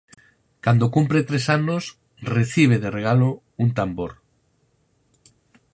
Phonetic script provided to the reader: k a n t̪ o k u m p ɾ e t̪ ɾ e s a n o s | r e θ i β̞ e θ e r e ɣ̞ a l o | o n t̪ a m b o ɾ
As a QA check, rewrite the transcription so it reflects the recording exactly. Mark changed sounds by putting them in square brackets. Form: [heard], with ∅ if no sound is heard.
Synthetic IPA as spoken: k a n [d̪] o k u m p ɾ e t̪ ɾ e s a n o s | r e θ i β̞ e [ð] e r e ɣ̞ a l o | [u] n t̪ a m b o ɾ